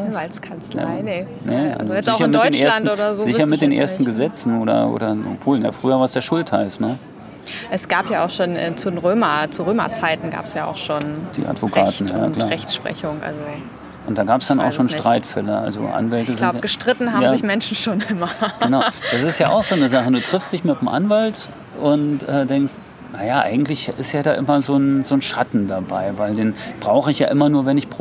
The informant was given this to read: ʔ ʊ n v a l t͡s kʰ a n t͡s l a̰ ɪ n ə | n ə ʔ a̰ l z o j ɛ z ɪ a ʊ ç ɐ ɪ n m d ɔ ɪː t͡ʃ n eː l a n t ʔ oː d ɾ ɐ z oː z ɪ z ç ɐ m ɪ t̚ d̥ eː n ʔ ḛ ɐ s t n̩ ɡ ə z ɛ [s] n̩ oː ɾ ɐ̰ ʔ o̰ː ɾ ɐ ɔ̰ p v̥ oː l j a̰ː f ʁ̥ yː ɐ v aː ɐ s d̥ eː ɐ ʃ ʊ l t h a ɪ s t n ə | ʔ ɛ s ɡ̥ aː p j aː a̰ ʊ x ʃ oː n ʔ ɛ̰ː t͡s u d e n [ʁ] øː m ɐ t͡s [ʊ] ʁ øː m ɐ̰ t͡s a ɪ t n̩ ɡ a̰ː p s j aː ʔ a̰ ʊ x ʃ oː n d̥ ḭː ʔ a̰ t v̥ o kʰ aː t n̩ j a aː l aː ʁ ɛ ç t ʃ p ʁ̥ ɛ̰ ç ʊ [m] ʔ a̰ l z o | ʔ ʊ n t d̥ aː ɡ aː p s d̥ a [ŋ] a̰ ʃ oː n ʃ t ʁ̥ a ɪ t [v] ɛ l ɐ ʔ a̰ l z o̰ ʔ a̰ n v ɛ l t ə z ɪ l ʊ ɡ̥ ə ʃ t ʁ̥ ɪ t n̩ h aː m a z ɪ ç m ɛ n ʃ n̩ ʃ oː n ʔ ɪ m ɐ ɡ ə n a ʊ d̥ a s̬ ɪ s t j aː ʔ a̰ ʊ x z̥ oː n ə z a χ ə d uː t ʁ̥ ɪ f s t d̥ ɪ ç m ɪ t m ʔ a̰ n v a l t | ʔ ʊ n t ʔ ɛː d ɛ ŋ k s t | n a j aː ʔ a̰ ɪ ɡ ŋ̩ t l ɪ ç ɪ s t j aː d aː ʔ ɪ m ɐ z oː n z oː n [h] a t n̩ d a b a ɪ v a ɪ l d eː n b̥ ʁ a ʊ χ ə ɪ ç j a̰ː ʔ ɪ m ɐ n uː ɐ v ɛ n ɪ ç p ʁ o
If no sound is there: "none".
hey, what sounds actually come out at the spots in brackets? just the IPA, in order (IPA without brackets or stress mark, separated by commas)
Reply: t͡s, ʁ, u, ŋ, n, f, ʃ